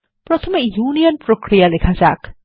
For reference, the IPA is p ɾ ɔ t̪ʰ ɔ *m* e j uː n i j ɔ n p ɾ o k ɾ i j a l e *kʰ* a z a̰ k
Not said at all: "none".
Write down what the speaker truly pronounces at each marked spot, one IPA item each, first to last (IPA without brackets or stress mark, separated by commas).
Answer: m, kʰ